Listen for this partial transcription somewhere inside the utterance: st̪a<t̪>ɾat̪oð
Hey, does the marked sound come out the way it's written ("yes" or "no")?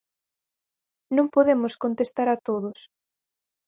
no